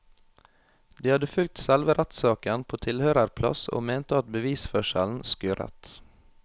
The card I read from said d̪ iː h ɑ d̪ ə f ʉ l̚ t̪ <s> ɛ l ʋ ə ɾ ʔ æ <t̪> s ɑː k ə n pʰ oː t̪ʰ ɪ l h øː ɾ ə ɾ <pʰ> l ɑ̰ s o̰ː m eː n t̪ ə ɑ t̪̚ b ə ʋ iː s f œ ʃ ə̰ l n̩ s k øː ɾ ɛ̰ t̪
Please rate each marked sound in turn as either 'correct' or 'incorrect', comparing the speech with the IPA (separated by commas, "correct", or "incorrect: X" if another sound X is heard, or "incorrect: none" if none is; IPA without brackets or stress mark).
correct, correct, correct